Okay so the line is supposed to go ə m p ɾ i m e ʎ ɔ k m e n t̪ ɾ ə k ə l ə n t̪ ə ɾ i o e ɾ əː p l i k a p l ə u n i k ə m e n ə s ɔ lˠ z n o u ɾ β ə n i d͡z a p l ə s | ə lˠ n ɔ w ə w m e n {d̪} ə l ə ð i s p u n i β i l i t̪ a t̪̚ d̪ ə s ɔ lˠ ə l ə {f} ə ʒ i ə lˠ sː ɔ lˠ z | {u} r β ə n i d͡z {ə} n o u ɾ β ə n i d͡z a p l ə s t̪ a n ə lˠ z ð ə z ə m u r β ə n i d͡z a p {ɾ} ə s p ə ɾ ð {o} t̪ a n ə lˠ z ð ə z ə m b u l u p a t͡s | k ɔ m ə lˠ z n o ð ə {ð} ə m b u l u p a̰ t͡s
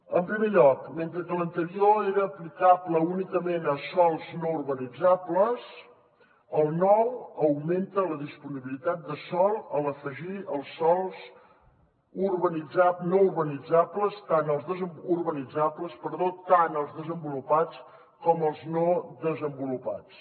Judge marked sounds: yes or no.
no, yes, yes, no, no, yes, no

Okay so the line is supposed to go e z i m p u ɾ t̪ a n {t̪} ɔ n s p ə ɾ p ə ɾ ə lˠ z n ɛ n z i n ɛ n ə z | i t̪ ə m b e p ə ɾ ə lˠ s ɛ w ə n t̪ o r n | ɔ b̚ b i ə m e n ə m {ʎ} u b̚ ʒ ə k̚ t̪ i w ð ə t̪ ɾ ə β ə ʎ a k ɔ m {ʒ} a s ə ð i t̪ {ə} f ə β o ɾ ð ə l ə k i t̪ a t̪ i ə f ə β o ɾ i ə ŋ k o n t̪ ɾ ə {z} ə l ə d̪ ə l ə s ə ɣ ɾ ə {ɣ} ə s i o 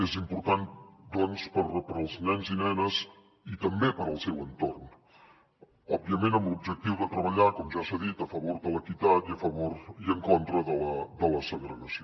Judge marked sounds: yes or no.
no, no, yes, yes, no, yes

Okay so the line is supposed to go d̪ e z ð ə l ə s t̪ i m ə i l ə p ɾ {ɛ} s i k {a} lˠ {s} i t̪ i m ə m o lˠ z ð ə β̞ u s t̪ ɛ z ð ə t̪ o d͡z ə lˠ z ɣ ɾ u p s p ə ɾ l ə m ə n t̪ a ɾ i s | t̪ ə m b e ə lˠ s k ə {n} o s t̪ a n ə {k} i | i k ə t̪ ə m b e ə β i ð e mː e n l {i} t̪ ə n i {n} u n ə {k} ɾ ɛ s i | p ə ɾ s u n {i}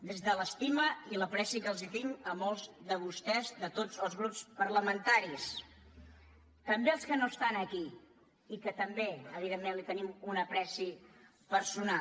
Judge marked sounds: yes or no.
yes, no, no, yes, yes, yes, no, no, no

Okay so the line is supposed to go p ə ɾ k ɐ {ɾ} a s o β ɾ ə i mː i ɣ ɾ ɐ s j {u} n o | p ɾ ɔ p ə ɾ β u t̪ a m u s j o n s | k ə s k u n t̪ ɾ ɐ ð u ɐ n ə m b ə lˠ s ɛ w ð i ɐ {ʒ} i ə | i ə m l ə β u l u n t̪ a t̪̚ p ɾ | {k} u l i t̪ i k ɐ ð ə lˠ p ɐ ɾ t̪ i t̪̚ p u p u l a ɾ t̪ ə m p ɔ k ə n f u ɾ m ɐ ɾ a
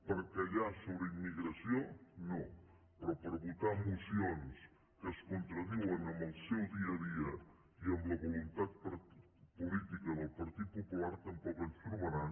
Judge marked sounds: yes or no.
no, no, no, no

